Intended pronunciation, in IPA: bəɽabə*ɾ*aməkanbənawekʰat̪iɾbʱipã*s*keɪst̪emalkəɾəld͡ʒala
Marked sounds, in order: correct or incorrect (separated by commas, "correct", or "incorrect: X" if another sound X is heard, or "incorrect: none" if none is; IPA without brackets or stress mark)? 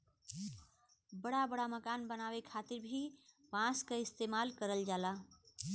incorrect: ɽ, correct